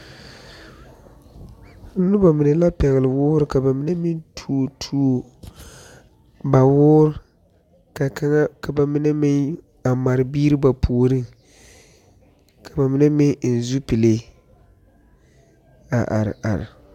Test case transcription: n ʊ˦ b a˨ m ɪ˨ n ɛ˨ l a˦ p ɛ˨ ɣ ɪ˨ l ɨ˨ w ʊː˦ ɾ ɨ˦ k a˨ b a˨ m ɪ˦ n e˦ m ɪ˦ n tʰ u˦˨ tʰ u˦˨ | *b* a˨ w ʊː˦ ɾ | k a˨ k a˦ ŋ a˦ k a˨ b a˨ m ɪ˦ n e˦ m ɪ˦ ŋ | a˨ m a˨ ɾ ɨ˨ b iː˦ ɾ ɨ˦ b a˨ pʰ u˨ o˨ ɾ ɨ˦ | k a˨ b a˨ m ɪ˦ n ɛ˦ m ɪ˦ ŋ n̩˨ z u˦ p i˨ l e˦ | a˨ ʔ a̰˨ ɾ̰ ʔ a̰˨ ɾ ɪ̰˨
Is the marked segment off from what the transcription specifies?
no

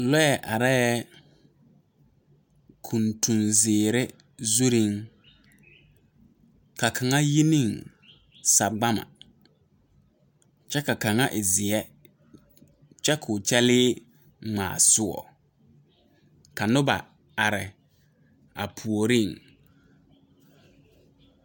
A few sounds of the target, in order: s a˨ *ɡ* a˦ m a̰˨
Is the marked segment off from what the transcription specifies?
yes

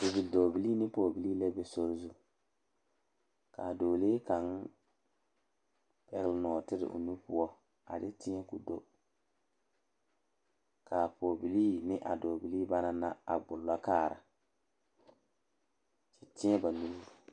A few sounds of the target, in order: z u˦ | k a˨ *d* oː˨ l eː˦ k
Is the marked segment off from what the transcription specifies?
no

